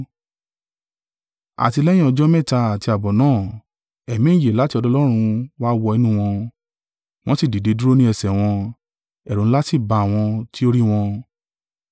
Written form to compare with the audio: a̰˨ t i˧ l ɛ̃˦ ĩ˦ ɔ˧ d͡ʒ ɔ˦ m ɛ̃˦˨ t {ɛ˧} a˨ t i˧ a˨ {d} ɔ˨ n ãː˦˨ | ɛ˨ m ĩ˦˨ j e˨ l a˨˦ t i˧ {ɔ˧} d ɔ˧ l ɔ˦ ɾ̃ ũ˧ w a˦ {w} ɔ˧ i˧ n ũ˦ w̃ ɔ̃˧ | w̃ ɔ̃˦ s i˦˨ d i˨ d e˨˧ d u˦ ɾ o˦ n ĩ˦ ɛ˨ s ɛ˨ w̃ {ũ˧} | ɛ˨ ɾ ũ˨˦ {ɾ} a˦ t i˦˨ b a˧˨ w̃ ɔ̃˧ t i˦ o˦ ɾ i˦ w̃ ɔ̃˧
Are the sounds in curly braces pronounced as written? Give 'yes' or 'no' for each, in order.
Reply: no, no, yes, yes, no, no

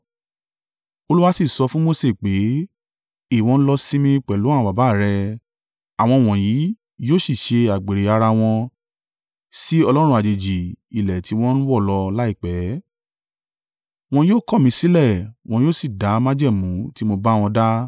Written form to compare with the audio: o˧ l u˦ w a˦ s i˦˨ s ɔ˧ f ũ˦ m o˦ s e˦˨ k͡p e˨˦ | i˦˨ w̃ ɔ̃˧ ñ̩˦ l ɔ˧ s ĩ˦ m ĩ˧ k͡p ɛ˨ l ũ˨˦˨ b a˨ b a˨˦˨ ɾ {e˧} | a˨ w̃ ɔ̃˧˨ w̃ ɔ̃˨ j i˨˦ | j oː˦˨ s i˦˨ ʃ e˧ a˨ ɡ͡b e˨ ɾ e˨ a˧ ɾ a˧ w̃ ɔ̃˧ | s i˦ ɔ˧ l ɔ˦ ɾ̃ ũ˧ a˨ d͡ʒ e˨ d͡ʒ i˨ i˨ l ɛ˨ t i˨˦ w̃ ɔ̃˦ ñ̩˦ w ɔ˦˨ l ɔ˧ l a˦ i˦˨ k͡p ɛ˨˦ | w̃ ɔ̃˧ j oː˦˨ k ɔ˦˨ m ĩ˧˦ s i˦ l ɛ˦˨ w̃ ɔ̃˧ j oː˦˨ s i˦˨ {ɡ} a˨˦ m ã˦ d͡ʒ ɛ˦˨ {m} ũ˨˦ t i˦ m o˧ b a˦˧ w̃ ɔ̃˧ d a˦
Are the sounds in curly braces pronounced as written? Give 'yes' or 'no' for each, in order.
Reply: no, no, yes

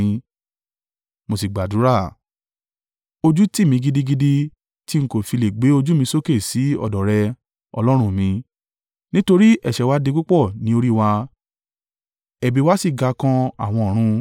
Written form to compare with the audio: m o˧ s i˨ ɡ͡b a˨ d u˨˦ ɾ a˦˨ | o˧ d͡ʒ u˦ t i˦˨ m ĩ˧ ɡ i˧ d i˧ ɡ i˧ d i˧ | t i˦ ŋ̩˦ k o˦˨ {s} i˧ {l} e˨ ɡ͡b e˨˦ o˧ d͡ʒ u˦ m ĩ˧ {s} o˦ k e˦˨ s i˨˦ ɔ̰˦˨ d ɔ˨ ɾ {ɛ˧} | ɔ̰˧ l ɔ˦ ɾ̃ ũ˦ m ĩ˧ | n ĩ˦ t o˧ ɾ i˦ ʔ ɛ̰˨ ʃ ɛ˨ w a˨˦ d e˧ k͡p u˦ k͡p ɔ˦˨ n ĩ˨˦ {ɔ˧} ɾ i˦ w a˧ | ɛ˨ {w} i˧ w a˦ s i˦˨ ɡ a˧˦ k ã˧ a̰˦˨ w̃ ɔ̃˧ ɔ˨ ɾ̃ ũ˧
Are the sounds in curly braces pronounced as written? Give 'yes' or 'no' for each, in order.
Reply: no, yes, yes, yes, no, no

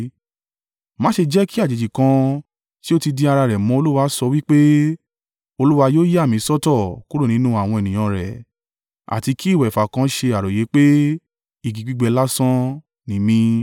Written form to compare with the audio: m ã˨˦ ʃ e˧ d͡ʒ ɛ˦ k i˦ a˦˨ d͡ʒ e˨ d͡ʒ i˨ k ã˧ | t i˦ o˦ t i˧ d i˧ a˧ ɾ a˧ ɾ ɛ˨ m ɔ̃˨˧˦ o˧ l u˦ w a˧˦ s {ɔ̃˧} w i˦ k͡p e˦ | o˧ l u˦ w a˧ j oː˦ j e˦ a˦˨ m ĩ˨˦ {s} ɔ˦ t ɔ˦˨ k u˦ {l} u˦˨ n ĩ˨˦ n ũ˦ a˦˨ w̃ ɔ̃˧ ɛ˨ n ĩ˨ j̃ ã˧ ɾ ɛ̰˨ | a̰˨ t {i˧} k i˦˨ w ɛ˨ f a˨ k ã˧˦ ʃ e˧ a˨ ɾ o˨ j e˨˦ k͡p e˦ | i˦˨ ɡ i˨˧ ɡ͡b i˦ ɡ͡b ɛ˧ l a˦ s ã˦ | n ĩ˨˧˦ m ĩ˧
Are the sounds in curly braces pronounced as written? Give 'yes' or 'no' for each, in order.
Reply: no, yes, no, yes

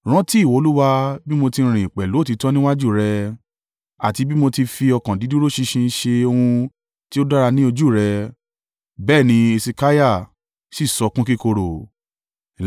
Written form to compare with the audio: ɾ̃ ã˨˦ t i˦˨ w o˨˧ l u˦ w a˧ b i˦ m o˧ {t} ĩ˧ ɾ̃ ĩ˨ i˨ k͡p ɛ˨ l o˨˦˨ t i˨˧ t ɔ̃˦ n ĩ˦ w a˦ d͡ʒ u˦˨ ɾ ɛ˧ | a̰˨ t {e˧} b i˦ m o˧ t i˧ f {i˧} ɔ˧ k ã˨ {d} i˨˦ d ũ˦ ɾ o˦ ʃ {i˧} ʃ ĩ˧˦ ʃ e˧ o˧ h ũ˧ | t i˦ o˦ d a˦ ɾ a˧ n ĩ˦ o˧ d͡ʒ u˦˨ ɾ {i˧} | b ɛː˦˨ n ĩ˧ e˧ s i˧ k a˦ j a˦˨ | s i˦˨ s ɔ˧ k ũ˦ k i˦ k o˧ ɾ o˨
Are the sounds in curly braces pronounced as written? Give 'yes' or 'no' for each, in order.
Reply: yes, no, yes, yes, yes, no

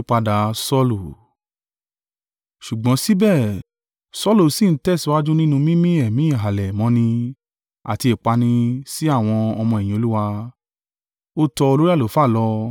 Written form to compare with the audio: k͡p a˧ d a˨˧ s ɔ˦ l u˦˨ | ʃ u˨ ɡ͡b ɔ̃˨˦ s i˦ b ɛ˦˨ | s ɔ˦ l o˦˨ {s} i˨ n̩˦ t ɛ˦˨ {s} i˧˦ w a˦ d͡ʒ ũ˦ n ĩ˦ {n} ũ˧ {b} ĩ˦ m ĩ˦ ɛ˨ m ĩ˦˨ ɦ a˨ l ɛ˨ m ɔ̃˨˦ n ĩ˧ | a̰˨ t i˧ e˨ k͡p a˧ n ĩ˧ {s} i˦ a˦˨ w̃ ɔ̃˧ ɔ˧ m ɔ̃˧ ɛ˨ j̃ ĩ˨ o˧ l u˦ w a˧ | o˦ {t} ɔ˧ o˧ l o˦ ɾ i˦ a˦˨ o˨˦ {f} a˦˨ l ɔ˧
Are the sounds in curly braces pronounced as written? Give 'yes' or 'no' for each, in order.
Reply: yes, yes, yes, no, yes, yes, yes

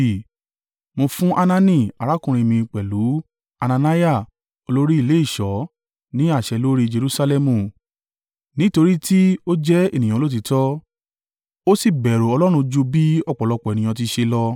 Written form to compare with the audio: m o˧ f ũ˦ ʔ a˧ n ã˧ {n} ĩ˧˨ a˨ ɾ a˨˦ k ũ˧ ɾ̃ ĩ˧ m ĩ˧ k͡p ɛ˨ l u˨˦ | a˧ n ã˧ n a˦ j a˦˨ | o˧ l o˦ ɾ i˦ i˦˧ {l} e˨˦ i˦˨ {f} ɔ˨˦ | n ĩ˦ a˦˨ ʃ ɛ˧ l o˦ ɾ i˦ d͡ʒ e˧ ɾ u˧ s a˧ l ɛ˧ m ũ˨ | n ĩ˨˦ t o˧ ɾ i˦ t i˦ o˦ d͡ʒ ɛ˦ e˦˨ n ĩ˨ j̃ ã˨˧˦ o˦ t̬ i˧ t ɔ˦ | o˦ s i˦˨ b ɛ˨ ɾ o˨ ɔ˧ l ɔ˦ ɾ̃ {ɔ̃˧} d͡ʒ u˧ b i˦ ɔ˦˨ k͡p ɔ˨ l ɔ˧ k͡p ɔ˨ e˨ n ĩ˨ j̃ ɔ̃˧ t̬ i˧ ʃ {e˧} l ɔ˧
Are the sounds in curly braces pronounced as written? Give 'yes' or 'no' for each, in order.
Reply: yes, yes, no, no, yes

